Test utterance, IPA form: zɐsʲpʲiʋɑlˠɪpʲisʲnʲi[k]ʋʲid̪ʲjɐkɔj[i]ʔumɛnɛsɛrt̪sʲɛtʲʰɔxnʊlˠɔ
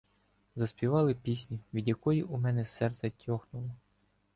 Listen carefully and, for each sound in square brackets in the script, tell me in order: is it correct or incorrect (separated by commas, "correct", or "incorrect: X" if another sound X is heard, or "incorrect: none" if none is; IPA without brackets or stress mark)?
incorrect: none, correct